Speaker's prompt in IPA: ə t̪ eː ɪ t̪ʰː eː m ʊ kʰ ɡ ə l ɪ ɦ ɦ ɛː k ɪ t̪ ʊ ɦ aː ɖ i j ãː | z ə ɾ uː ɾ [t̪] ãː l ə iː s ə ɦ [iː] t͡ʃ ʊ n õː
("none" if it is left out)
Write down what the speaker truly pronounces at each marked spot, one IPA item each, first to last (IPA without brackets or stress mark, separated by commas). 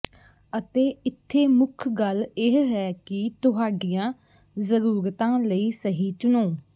t̪, iː